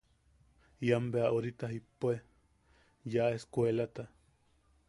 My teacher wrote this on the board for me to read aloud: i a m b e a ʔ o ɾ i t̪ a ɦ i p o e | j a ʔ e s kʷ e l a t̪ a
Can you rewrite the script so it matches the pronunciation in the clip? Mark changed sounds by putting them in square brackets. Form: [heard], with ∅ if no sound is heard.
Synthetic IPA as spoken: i a m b e a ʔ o ɾ i t̪ a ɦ i p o e | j a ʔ e s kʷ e l a t̪ a